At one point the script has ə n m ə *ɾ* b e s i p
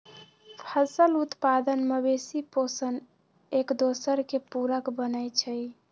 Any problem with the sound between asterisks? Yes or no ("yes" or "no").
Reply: yes